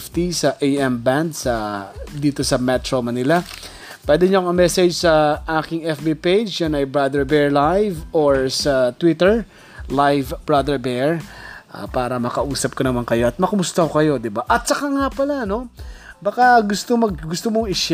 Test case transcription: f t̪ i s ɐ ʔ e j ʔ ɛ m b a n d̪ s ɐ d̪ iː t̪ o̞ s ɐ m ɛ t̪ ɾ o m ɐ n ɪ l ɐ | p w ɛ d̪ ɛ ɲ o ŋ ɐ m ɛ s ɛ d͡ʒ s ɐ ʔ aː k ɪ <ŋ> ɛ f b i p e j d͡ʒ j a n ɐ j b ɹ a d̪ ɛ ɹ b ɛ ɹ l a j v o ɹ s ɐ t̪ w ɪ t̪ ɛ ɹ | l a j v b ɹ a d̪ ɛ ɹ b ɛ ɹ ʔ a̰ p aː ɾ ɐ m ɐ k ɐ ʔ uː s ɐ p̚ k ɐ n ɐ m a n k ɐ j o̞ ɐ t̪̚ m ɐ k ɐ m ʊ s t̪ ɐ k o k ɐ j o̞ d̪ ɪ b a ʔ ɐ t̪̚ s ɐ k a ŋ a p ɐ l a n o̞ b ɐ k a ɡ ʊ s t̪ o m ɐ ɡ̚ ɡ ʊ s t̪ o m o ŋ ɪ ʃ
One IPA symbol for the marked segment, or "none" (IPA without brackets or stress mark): ŋ